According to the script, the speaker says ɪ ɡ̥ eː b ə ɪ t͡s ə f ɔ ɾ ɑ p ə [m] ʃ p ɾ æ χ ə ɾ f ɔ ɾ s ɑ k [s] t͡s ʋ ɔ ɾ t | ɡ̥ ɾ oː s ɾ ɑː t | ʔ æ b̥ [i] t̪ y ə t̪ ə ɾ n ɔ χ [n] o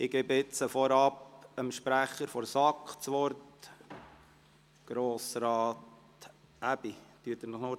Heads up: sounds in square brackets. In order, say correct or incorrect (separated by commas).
correct, incorrect, correct, correct